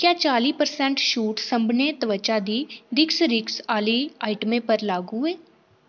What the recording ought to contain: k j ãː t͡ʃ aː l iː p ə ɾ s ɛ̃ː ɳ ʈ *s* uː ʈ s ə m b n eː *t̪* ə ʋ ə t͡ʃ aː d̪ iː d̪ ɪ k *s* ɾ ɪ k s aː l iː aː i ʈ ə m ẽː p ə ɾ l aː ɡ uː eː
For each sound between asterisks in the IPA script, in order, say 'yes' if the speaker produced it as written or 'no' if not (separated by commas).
no, yes, yes